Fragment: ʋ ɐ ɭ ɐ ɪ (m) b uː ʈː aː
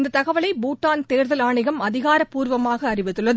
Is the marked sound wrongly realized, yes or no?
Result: yes